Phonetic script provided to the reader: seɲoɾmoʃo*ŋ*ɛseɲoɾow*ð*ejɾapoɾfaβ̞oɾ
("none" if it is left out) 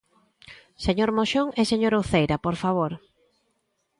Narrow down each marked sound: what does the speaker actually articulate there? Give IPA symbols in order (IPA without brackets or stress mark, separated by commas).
ŋ, θ